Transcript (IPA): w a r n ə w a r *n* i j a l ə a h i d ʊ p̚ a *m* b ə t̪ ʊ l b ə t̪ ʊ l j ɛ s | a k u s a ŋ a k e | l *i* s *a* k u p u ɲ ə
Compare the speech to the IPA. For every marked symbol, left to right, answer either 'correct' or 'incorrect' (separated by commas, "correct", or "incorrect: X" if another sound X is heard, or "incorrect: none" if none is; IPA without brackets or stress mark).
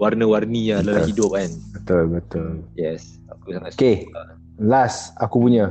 correct, incorrect: n, incorrect: a, correct